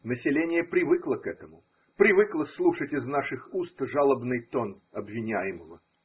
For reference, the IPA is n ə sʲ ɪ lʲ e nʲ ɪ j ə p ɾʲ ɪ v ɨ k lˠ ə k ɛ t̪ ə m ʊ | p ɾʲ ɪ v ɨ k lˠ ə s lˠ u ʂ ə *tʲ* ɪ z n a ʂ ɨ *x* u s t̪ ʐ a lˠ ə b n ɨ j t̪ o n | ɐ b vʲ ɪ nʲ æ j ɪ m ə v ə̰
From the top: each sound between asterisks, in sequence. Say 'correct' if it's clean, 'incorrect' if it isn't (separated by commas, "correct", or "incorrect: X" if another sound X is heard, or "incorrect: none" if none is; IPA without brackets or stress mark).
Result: correct, correct